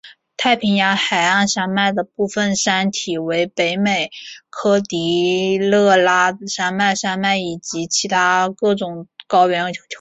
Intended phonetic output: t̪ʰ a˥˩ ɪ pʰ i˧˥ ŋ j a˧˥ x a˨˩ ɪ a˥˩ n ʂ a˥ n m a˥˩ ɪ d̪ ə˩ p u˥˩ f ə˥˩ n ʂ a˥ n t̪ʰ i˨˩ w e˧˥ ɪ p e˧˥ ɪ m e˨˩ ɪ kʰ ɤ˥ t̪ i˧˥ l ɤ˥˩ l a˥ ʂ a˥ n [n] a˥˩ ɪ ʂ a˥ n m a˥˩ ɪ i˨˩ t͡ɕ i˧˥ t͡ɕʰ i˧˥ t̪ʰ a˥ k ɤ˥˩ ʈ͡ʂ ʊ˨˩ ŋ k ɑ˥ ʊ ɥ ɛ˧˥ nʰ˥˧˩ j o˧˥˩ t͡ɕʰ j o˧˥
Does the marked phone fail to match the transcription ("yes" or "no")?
yes